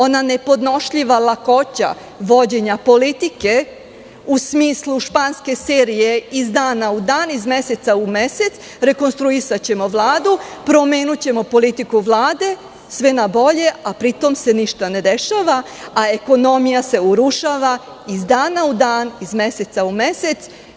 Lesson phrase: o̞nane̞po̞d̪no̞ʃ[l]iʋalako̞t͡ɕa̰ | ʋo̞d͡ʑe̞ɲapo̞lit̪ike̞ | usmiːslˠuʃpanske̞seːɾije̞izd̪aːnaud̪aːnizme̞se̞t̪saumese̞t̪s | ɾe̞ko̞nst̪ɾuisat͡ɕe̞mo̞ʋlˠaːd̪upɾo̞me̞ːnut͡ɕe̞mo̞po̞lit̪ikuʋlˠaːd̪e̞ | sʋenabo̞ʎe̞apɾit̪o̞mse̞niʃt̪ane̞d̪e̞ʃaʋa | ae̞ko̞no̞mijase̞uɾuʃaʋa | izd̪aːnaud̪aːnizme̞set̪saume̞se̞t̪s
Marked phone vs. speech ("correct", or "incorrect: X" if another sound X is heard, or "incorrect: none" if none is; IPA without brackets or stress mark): incorrect: ʎ